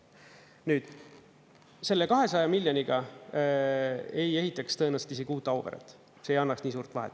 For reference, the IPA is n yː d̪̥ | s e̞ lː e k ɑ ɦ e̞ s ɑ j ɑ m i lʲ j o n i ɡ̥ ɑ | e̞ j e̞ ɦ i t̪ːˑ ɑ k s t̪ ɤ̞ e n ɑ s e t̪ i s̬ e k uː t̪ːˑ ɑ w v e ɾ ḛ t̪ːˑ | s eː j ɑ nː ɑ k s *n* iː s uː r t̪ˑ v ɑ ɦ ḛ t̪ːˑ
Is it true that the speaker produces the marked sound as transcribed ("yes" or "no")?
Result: yes